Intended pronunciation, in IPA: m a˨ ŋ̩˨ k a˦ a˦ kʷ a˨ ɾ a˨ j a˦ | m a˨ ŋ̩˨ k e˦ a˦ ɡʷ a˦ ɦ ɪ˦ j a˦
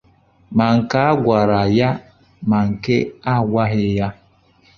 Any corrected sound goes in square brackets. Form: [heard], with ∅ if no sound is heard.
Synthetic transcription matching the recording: m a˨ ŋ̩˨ k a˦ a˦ [ɡʷ] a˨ ɾ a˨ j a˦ | m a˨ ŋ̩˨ k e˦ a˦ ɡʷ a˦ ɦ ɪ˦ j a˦